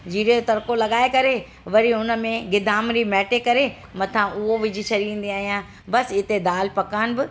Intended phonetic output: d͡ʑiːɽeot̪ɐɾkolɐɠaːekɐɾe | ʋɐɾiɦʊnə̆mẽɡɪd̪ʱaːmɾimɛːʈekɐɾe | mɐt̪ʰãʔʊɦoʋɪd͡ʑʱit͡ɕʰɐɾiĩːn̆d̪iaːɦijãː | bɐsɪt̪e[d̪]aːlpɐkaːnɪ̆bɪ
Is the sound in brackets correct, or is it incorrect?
correct